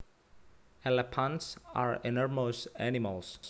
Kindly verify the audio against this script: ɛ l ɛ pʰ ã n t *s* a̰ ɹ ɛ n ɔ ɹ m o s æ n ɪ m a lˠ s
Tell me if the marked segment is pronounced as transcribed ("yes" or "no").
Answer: yes